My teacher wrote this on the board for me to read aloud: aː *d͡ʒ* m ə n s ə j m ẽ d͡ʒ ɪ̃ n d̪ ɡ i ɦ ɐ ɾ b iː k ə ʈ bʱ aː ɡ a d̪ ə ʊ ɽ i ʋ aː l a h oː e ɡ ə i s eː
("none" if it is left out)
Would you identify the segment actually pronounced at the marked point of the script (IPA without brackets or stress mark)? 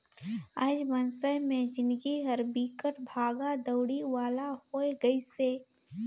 d͡ʒ